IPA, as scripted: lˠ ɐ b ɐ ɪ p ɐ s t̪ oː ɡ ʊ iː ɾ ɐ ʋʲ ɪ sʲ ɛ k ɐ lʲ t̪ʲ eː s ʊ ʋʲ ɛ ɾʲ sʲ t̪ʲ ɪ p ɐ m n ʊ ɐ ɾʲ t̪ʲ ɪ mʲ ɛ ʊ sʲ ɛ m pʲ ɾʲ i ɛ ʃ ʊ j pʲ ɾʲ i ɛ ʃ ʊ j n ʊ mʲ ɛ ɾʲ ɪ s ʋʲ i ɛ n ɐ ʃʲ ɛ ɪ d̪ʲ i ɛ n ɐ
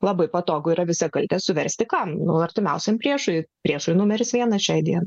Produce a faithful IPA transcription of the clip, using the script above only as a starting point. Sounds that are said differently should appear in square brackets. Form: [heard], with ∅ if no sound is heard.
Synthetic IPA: lˠ ɐ b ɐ ɪ p ɐ [∅] t̪ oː ɡ ʊ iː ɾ ɐ ʋʲ ɪ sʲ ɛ k ɐ lʲ t̪ʲ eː s ʊ ʋʲ ɛ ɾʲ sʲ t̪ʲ ɪ [k] ɐ m n ʊ ɐ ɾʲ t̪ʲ ɪ mʲ ɛ ʊ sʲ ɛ m pʲ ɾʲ i ɛ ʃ ʊ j pʲ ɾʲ i ɛ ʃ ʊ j n ʊ mʲ ɛ ɾʲ ɪ s ʋʲ i ɛ n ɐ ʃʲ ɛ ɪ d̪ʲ i ɛ n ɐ